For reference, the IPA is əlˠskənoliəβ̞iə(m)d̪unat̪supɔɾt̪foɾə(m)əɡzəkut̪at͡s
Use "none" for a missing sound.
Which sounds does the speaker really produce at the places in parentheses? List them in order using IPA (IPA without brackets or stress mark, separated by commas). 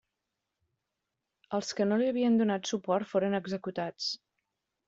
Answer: n, n